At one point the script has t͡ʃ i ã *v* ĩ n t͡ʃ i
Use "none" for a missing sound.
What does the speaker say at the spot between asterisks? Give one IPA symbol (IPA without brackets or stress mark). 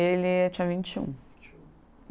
v